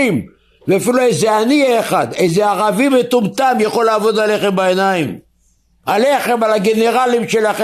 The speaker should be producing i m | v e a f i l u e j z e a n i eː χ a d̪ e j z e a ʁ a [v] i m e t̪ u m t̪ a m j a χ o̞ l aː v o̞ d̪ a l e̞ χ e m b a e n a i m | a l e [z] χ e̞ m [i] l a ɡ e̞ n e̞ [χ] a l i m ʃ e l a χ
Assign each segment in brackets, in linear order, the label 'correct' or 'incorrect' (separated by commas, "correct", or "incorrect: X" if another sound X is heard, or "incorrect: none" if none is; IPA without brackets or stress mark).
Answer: correct, incorrect: none, incorrect: a, incorrect: ʁ